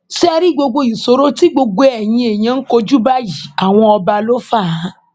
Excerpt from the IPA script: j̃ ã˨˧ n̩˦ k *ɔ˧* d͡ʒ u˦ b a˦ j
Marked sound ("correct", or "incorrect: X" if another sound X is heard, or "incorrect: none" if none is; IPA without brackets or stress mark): incorrect: o˧